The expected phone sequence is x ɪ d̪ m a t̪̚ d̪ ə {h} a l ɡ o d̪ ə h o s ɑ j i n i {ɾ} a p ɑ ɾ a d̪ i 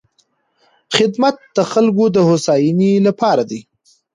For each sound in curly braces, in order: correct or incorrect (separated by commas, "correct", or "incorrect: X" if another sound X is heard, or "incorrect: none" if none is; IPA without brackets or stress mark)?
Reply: incorrect: x, incorrect: l